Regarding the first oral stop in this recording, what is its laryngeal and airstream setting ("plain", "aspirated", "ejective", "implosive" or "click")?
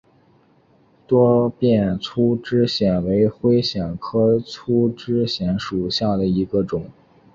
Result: plain